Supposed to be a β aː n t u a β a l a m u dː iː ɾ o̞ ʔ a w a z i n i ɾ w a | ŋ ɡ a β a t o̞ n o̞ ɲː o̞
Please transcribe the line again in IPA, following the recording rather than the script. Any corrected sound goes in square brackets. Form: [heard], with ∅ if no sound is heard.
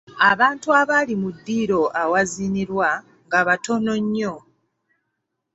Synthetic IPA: a β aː n t u a β a l [i] m u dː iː ɾ o̞ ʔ a w a z i n i ɾ w a | ŋ ɡ a β a t o̞ n o̞ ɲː o̞